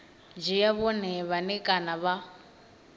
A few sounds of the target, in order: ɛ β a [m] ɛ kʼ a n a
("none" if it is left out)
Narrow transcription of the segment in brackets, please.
n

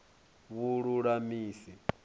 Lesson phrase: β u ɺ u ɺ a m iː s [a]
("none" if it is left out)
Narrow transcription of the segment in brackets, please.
i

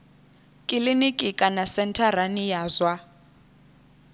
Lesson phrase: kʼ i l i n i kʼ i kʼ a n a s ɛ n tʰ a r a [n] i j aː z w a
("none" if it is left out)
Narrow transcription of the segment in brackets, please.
n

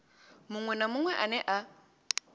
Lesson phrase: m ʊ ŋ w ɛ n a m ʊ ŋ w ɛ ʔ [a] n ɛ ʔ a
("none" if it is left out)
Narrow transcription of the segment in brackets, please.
a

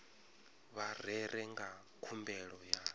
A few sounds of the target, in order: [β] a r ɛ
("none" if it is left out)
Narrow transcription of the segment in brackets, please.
β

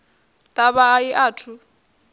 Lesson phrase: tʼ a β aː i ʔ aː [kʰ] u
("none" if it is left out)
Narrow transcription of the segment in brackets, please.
tʰ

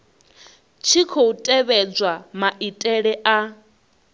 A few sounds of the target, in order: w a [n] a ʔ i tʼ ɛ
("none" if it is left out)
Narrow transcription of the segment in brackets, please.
m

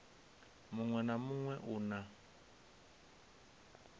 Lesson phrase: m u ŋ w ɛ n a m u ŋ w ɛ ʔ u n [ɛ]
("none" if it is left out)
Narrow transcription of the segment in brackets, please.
a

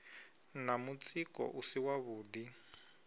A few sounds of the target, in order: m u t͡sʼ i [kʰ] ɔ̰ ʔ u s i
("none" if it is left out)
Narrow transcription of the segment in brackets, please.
k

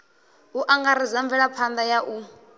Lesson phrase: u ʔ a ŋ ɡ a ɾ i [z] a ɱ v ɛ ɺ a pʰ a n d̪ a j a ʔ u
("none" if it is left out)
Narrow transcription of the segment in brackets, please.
z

